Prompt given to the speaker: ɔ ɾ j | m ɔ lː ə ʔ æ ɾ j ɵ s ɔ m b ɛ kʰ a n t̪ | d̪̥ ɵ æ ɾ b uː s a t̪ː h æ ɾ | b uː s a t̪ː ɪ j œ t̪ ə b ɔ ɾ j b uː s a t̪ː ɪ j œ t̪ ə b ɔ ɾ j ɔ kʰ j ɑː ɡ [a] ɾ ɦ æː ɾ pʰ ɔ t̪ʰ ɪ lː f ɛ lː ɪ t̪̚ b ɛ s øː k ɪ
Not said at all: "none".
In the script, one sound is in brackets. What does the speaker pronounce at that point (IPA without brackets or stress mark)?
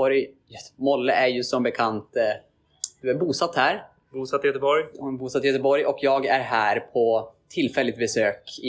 æ